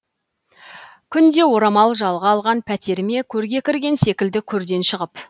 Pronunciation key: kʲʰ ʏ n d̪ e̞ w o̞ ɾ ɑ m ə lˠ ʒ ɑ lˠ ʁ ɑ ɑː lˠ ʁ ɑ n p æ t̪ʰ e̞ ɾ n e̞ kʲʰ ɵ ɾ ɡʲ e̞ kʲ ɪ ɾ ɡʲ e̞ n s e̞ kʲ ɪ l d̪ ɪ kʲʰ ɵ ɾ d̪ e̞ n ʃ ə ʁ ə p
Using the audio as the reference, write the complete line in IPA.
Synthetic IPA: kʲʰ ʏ n d̪ e̞ w o̞ ɾ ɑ m ɑ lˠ ʒ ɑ lˠ ʁ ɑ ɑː lˠ ʁ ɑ n pʰ æ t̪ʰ e̞ ɾ m e̞ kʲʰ ɵ ɾ ɡʲ e̞ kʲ ɪ ɾ ɡʲ e̞ n s e̞ kʲ ɪ l d̪ ɪ kʲʰ ɵ ɾ d̪ e̞ n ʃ ə ʁ ə p